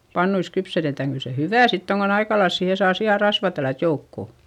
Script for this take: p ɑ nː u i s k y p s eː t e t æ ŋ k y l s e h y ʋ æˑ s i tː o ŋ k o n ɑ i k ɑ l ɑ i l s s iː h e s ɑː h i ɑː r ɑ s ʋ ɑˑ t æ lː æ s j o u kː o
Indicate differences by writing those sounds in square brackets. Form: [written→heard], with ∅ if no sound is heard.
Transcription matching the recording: p ɑ nː u i s k y p s [eː→e] t e t æ ŋ k y l s e h y ʋ æˑ s i tː o ŋ k o n ɑ i k ɑ l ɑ i l s s iː h e s ɑː [h→s] i [ɑː→ɑ] r ɑ s ʋ ɑˑ t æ lː æ [s→t] j o u kː o